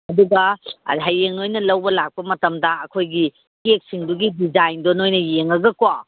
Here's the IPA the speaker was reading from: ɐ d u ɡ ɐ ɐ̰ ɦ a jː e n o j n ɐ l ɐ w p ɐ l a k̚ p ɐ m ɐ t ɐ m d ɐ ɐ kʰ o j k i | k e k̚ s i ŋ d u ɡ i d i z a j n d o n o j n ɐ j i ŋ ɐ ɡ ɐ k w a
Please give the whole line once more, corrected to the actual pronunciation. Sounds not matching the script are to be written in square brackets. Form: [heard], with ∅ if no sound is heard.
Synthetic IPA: ɐ d u ɡ ɐ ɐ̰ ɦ a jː e [ŋ] o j n ɐ l ɐ w [b] ɐ l a k̚ p ɐ m ɐ t ɐ m d ɐ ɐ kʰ o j [ɡ] i | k e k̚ s i ŋ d u ɡ i d i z a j n d o n o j n ɐ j [e] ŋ ɐ ɡ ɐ k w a